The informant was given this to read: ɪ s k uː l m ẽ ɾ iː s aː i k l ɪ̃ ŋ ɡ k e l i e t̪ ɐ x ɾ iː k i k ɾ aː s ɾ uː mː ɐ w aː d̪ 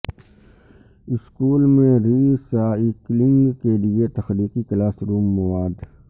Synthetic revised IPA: ɪ s k uː l m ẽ ɾ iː s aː i k l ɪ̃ ŋ ɡ k e l i e t̪ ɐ x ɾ iː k i k l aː s ɾ uː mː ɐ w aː d̪